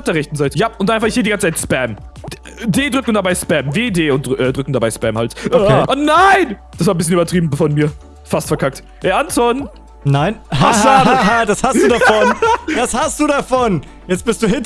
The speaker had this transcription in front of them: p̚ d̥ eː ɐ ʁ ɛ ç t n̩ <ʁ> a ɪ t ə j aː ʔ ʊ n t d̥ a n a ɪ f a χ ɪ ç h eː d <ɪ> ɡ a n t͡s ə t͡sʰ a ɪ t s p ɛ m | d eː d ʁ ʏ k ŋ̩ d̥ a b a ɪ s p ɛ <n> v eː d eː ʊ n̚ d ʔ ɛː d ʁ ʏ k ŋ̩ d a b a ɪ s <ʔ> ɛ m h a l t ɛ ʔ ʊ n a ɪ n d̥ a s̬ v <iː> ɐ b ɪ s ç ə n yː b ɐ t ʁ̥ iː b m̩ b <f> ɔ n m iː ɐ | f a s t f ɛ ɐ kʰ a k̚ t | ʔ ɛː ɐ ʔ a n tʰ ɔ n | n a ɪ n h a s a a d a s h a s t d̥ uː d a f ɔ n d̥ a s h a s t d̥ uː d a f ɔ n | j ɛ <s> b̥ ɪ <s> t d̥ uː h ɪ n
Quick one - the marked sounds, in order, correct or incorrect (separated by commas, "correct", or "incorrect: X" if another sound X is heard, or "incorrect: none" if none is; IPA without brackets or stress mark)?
incorrect: z, incorrect: i, incorrect: m, incorrect: p, incorrect: aː, correct, incorrect: t͡s, correct